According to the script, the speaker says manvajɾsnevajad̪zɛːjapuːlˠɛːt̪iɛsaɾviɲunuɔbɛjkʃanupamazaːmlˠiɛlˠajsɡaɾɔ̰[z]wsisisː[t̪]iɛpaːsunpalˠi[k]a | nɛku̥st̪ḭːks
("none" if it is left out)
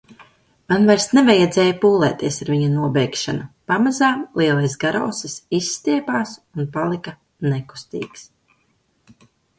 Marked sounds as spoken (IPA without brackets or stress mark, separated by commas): none, t̪, k